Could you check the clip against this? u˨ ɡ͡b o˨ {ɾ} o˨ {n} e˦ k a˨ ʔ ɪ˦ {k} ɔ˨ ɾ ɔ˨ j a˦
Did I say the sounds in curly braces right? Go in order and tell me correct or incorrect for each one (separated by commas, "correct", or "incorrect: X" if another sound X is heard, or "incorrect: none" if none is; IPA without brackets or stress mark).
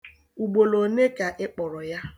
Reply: incorrect: l, correct, incorrect: k͡p